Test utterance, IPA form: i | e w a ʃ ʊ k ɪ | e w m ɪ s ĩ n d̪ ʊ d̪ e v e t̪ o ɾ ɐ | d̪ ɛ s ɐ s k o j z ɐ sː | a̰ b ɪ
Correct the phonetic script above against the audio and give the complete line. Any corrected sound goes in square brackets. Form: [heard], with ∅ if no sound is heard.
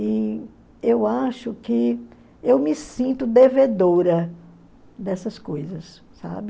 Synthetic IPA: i | e w a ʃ ʊ k ɪ | e w m ɪ s ĩ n [t̪] ʊ d̪ e v e [d̪] o ɾ ɐ | d̪ ɛ s ɐ s k o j z ɐ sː | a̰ b ɪ